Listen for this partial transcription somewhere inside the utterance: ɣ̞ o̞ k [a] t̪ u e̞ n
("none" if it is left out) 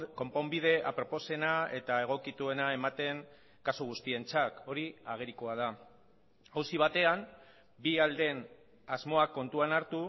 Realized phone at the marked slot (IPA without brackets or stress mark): i